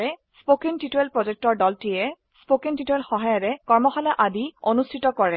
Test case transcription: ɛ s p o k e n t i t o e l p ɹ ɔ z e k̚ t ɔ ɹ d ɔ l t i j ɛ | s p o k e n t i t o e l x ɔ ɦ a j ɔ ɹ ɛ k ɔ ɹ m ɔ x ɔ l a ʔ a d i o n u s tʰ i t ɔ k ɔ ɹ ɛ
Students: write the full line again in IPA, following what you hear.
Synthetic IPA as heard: ɛ s p o k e n t i t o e l p ɹ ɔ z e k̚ t ɔ ɹ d ɔ l t i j ɛ | s p o k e n t i t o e l x ɔ ɦ a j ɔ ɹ ɛ k ɔ ɹ m ɔ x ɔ l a ʔ a d i o n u s tʰ i t ɔ k ɔ ɹ ɛ

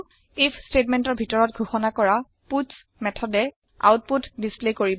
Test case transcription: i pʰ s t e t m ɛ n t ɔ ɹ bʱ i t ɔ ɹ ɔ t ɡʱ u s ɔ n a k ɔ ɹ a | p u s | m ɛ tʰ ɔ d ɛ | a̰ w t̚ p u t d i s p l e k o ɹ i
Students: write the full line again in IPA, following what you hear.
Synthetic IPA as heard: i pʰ s t e t m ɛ n t ɔ ɹ bʱ i t ɔ ɹ ɔ t ɡʱ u x ɔ n a k ɔ ɹ a | p u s | m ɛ tʰ ɔ d ɛ | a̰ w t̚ p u t d i s p l e k o ɹ i

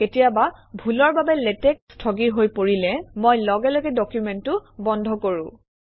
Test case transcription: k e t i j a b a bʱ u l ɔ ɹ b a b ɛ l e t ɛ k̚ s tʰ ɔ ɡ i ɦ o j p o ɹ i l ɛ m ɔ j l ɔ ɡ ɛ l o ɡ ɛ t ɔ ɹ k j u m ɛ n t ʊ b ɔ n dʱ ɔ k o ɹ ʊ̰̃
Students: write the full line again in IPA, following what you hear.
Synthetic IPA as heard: k e t i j a b a bʱ u l ɔ ɹ b a b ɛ l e t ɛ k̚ s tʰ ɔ ɡ i ɦ o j p o ɹ i l ɛ m o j l ɔ ɡ ɛ l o ɡ ɛ d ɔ k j u m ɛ n t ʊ b ɔ n dʱ ɔ k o ɹ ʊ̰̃

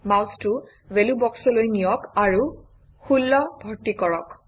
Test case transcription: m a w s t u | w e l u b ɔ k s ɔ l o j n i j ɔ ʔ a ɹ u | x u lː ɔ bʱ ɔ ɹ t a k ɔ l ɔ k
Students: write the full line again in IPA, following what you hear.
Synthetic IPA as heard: m a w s t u | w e l u b ɔ k s ɔ l o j n i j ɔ k a ɹ u | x u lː ɔ bʱ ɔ ɹ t i k ɔ ɹ ɔ k

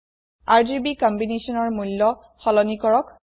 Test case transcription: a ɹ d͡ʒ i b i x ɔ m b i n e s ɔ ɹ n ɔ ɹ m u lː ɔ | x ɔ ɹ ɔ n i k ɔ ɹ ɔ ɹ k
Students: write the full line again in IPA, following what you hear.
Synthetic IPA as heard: a ɹ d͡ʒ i b i k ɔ m b i n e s ɔ n ɔ ɹ m u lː ɔ | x ɔ l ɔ n i k ɔ ɹ ɔ k

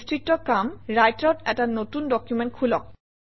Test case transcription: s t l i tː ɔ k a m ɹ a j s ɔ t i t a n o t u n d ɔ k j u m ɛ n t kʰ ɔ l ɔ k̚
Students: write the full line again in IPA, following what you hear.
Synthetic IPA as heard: s t ɹ i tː ɔ k a m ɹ a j t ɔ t ɛ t a n o t u n d ɔ k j u m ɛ n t kʰ u l ɔ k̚

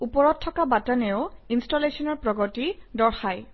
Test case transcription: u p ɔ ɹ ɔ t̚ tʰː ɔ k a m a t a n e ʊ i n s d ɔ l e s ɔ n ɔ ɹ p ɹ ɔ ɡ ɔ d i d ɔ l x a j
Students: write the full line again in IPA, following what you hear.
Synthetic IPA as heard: u p ɔ ɹ ɔ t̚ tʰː ɔ k a b a t a n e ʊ i n s t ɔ l e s ɔ n ɔ ɹ p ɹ ɔ ɡ ɔ t i d ɔ ɹ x a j

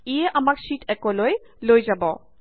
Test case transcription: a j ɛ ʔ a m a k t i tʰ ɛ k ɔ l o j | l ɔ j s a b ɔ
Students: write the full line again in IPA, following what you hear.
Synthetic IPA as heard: i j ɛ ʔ a m a k s i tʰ ɛ k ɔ l o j | l o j z a b ɔ

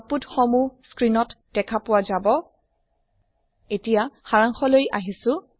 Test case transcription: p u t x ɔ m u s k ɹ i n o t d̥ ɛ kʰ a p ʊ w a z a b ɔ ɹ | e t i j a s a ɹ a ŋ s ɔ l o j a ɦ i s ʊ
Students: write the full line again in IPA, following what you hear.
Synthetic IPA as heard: p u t x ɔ m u s k ɹ i n ɔ t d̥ ɛ kʰ a p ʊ w a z a b ɔ | e t i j a x a ɹ a ŋ x ɔ l o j a ɦ i s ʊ

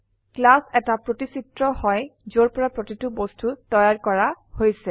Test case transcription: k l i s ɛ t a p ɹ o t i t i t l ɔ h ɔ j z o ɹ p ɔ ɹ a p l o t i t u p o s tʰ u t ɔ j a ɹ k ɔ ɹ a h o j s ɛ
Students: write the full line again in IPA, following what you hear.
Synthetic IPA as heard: k l a s ɛ t a p ɹ o t i s i t ɹ ɔ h ɔ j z o ɹ p ɔ ɹ a p ɹ o t i t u b o s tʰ u t ɔ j a ɹ k ɔ ɹ a h o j s ɛ

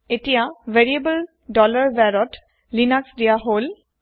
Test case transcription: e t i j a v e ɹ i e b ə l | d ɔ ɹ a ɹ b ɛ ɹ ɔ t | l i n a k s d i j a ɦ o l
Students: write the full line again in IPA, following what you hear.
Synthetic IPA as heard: e t i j a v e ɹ i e b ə l | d ɔ l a ɹ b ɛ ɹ ɔ t | l i n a k s d i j a ɦ o l

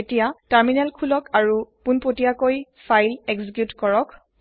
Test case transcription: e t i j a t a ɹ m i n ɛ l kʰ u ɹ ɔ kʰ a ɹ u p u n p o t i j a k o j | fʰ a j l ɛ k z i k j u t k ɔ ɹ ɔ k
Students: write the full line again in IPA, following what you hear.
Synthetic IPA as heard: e t i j a t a ɹ m i n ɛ l kʰ u l ɔ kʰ a ɹ u p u n p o t i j a k o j | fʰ a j l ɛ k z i k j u t k ɔ ɹ ɔ k

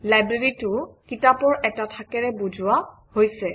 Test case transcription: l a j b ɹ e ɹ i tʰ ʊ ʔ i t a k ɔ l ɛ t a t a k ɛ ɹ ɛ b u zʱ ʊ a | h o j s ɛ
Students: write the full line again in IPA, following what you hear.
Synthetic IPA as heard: l a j b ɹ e ɹ i t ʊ k i t a p ɔ ɹ ɛ t a tʰ a k ɛ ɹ ɛ b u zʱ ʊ a | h o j s ɛ

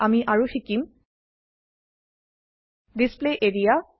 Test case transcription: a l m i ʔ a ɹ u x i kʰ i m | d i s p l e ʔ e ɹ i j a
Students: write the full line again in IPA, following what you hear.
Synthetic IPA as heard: a m i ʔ a ɹ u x i k i m | d i s p l e ʔ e ɹ i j a

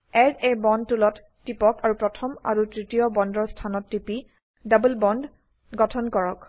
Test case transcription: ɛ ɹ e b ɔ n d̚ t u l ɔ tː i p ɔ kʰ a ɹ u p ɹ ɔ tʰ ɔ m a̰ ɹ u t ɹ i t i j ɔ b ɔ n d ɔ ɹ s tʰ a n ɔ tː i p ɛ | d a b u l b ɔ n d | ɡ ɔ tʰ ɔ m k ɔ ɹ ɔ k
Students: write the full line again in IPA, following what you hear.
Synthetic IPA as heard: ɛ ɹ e b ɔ n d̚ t u l ɔ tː i p ɔ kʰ a ɹ u p ɹ ɔ tʰ ɔ m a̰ ɹ u t ɹ i t i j ɔ b ɔ n d ɔ ɹ s tʰ a n ɔ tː i p i | d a b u l b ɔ n d | ɡ ɔ tʰ ɔ n k ɔ ɹ ɔ k

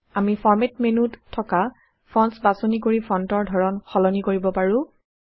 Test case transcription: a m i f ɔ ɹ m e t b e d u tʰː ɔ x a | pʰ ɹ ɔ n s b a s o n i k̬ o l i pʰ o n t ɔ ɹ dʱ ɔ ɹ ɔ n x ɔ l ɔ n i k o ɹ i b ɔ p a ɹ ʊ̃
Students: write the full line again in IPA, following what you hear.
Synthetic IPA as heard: a m i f ɔ ɹ m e t m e n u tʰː ɔ k a | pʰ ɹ ɔ n s b a s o n i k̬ o ɹ i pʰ ɔ n t ɔ ɹ dʱ ɔ ɹ ɔ n x ɔ l ɔ n i k o ɹ i b ɔ p a ɹ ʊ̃

